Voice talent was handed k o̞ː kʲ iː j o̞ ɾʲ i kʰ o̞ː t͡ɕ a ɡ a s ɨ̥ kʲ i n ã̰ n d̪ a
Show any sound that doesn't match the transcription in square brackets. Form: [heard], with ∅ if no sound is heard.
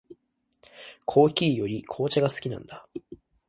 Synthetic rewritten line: [kʰ] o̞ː kʲ iː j o̞ ɾʲ i kʰ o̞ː t͡ɕ a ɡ a s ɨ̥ kʲ i n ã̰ n d̪ a

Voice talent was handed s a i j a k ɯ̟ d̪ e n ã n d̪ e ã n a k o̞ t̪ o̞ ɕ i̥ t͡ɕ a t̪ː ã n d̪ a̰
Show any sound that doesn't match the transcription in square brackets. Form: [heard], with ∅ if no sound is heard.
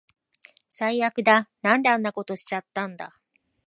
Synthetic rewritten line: s a i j a k ɯ̟ d̪ [a] n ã n d̪ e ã [nː] a k o̞ t̪ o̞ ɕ i̥ t͡ɕ a t̪ː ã n d̪ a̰

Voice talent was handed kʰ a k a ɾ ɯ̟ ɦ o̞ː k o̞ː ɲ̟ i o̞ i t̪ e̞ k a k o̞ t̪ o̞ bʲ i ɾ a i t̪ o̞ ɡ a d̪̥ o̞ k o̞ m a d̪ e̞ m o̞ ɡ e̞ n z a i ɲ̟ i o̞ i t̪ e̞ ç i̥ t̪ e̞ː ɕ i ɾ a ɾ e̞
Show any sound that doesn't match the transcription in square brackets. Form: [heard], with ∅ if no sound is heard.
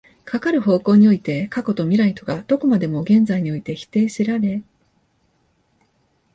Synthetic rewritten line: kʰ a k a ɾ ɯ̟ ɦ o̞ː k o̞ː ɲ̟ i o̞ i t̪ e̞ k a k o̞ t̪ o̞ [mʲ] i ɾ a i t̪ o̞ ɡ a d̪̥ o̞ k o̞ m a d̪ e̞ m o̞ ɡ [ẽ̞] n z a i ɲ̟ i o̞ i t̪ e̞ ç i̥ t̪ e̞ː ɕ i ɾ a ɾ e̞

